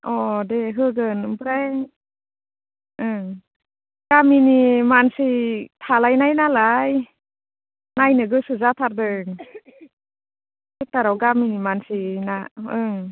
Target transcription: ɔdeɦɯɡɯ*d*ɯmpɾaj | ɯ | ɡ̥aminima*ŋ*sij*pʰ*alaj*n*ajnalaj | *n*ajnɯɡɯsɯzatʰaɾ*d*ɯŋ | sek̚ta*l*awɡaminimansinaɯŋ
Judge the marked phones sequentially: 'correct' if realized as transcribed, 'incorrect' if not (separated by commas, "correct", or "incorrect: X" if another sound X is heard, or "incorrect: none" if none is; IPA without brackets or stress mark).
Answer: incorrect: n, incorrect: n, incorrect: tʰ, correct, correct, correct, incorrect: ɾ